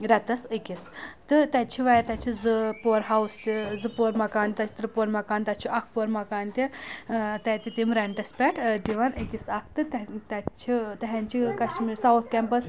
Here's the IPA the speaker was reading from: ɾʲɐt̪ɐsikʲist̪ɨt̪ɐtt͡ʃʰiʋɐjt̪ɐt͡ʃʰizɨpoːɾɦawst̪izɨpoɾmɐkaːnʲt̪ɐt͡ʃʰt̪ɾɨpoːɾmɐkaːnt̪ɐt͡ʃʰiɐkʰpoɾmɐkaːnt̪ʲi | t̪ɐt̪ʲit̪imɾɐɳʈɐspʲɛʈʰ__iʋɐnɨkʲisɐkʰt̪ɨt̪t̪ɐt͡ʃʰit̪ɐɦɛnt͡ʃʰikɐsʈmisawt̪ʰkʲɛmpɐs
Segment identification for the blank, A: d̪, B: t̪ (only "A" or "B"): A